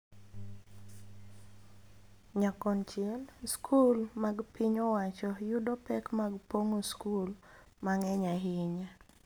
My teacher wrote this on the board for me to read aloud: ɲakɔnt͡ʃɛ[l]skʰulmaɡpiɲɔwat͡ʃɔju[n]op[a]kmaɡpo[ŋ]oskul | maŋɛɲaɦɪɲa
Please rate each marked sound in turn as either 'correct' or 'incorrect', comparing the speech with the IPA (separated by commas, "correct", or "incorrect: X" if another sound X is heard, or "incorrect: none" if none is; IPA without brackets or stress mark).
correct, incorrect: d, incorrect: ɛ, correct